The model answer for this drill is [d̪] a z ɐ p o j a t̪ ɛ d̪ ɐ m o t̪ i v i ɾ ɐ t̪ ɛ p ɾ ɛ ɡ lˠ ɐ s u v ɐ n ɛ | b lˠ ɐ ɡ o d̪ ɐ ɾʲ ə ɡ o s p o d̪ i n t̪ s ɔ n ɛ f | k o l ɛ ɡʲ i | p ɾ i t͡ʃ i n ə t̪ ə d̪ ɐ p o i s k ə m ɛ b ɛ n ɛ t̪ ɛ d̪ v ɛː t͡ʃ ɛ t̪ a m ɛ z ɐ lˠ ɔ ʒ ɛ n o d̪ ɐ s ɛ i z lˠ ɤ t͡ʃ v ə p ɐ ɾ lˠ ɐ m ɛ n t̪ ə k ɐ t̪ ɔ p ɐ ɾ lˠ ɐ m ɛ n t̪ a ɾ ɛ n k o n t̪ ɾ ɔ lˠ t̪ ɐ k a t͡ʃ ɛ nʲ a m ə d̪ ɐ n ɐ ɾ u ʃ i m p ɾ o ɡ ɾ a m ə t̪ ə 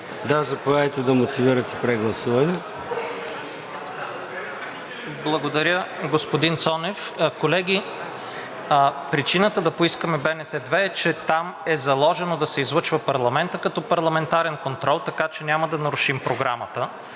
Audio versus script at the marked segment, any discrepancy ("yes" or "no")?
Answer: no